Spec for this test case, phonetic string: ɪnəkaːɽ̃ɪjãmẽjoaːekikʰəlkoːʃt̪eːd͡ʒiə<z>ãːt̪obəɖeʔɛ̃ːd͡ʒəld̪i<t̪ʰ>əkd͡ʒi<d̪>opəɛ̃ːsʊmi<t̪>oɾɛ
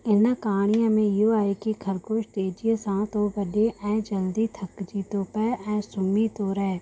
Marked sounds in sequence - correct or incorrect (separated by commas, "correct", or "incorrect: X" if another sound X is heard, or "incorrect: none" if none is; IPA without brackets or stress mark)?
incorrect: s, correct, incorrect: t̪, correct